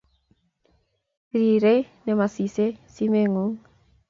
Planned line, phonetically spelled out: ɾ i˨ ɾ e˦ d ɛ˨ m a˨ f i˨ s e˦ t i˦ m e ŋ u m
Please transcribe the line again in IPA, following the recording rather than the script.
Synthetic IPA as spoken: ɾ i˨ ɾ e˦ n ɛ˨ m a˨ s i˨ s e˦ s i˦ m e ŋ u ŋ